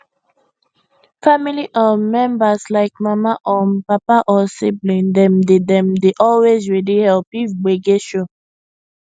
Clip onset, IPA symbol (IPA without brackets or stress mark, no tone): f